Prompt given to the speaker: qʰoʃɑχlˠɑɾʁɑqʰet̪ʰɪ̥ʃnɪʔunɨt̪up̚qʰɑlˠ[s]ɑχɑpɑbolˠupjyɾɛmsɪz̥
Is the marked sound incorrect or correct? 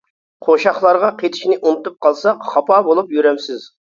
correct